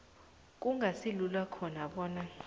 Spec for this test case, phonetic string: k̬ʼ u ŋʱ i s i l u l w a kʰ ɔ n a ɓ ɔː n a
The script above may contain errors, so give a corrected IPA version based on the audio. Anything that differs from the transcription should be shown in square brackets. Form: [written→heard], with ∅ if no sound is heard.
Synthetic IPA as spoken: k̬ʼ u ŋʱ [i→a] s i l u l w a kʰ ɔ n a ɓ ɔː n a

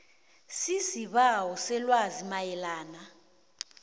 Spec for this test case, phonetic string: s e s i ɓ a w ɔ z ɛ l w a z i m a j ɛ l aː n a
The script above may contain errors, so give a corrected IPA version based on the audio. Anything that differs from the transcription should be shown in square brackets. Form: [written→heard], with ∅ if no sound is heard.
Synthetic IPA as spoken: s [e→i] s i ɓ a w ɔ [z→s] ɛ l w a z i m a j ɛ l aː n a

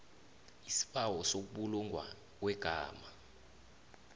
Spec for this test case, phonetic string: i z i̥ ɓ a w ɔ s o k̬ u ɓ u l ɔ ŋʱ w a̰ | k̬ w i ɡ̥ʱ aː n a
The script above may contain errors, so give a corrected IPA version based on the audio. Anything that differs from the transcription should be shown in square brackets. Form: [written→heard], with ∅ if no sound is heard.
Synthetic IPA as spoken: i [z→s] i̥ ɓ a w ɔ s o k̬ u ɓ u l [ɔ→u] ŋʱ w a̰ | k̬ w [i→ɛ] ɡ̥ʱ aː [n→m] a

